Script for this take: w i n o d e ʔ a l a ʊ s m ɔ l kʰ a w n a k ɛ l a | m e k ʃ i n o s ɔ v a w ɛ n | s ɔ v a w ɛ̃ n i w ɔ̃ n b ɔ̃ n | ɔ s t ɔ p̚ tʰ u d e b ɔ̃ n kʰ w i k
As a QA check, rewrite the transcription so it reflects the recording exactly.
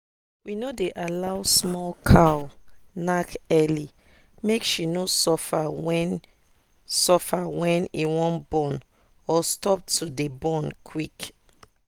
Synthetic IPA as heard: w i n o d e ʔ a l a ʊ s m ɔ l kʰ a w n a k ɛ l i | m e k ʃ i n o s ɔ f a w ɛ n | s ɔ f a w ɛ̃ n i w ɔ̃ n b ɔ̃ n | ɔ s t ɔ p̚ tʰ u d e b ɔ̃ n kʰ w i k